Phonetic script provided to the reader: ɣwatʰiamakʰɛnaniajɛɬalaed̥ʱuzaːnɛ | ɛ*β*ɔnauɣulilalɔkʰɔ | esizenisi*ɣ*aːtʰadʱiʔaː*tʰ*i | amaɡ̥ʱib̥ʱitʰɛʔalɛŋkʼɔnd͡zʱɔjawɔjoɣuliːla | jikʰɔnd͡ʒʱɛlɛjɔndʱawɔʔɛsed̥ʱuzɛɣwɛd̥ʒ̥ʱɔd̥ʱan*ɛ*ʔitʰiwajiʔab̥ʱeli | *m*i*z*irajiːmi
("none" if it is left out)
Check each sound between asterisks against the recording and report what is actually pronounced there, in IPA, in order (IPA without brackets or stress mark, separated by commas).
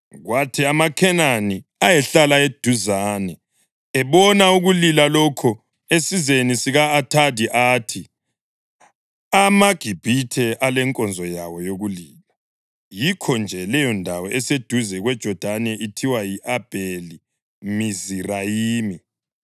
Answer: β, ɣ, tʰ, ɛ, m, z